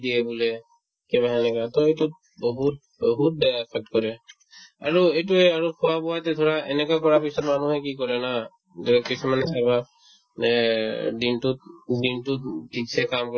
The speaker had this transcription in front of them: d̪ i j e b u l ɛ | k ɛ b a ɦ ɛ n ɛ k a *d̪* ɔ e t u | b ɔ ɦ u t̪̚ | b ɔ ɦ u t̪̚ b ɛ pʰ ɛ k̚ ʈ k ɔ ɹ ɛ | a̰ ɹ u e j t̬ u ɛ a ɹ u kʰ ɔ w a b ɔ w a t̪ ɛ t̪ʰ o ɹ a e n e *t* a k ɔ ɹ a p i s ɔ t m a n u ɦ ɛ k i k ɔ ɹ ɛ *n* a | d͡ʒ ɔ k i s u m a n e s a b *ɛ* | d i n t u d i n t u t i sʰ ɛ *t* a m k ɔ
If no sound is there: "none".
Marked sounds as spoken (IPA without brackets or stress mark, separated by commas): t̪, k, n, a, k